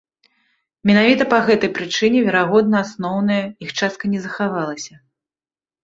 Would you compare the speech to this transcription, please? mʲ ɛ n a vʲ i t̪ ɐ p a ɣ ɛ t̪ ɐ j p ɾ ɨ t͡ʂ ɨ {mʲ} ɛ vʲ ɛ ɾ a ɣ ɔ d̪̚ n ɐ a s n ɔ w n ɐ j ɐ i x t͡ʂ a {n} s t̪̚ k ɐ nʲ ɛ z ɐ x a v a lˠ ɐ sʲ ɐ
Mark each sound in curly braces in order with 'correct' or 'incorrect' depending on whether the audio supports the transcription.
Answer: incorrect: nʲ, incorrect: none

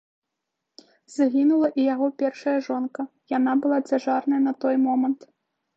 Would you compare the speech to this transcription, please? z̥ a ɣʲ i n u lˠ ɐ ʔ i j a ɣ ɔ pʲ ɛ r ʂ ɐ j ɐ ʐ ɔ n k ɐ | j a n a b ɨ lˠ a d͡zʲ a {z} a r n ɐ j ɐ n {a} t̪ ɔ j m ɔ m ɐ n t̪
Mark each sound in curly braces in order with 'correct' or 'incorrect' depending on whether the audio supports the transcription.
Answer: incorrect: ʐ, incorrect: ɐ

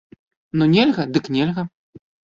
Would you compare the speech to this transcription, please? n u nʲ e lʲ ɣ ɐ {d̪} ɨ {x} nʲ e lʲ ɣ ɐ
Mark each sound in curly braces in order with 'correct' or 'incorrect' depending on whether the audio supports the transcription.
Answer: correct, incorrect: k

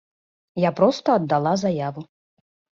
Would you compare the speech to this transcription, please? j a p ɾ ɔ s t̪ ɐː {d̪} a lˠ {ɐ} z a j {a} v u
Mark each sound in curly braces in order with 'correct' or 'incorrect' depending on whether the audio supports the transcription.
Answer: incorrect: d̪ː, incorrect: a, correct

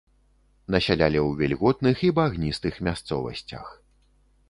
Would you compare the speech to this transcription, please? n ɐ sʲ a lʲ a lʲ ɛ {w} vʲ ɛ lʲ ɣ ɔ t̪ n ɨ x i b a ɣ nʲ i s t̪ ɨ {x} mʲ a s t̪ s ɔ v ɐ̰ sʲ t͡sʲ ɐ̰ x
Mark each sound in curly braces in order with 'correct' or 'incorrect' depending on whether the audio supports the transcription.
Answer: correct, correct

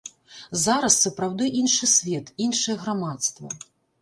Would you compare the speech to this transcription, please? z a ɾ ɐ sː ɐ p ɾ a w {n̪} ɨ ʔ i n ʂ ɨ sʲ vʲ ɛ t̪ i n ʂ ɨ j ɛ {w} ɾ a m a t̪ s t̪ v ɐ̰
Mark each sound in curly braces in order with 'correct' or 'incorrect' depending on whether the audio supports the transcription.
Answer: incorrect: d̪, incorrect: ɣ

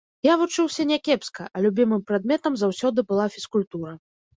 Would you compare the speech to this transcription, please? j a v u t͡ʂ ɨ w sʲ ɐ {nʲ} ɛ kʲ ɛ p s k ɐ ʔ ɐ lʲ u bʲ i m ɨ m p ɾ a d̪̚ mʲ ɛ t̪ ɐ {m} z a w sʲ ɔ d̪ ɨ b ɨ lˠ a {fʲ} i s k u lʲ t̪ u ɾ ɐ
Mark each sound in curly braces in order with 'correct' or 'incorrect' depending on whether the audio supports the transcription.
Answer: correct, correct, correct

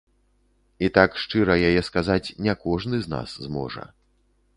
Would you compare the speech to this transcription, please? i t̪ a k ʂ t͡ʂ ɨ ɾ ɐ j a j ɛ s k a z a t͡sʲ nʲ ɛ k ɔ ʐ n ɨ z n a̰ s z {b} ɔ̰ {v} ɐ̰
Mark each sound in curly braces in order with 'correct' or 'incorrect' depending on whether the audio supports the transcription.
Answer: incorrect: m, incorrect: ʐ

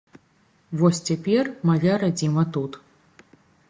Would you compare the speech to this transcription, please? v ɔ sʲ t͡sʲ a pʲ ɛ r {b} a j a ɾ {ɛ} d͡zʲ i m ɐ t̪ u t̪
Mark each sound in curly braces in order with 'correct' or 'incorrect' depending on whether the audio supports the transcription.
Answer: incorrect: m, incorrect: a

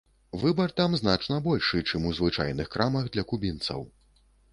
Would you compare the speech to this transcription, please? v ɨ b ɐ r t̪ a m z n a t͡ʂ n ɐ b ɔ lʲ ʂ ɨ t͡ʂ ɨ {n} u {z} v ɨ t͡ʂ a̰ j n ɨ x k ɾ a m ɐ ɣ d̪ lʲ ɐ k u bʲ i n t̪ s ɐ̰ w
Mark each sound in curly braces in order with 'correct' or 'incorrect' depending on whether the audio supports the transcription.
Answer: incorrect: m, correct

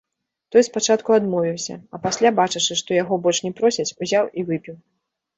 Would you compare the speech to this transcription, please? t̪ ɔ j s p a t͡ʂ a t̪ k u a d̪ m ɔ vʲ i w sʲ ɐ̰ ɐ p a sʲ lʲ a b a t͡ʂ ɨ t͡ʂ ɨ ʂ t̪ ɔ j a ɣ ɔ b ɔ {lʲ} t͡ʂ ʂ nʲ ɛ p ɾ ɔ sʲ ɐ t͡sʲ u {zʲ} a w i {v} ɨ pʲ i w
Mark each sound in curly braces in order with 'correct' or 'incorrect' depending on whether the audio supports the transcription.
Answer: correct, correct, correct

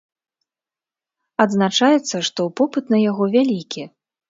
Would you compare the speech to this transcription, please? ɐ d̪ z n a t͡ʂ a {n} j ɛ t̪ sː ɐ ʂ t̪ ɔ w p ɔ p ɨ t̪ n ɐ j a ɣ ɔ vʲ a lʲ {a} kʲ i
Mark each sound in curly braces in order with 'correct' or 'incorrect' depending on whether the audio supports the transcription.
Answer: incorrect: none, incorrect: i

